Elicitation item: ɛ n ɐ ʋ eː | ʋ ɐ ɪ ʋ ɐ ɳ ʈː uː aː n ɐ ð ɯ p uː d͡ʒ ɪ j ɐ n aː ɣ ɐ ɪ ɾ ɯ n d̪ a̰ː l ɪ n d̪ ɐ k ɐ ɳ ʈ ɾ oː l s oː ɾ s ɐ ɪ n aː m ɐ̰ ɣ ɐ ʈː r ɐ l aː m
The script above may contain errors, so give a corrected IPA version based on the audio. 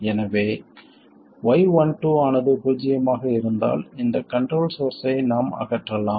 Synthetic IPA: ɛ n ɐ ʋ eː | ʋ ɐ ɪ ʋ ɐ ɳ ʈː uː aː n ɐ ð ɯ p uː d͡ʒ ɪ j ɐ m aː ɣ ɐ ɪ ɾ ɯ n d̪ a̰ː l ɪ n d̪ ɐ k ɐ ɳ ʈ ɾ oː l s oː ɾ s ɐ ɪ n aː m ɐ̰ ɣ ɐ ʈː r ɐ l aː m